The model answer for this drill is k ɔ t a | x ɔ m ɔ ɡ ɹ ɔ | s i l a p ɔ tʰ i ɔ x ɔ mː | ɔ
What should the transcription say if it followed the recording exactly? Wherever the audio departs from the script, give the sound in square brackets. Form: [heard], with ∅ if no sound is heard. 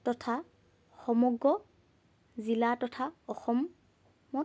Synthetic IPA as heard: [t] ɔ [tʰ] a | x ɔ m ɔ ɡ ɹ ɔ | [z] i l a [t] ɔ tʰ [a] ɔ x ɔ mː | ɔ